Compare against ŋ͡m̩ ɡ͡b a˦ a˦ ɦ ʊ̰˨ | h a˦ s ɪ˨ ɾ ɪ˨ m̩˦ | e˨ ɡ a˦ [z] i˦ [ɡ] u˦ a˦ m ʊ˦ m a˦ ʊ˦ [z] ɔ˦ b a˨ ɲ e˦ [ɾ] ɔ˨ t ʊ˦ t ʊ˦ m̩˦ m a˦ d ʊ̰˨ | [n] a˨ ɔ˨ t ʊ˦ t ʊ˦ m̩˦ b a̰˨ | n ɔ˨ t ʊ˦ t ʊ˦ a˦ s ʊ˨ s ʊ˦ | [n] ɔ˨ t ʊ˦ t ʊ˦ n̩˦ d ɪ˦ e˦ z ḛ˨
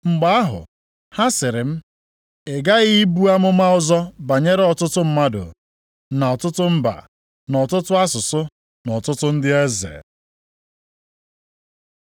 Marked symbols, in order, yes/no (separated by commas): no, no, yes, yes, yes, yes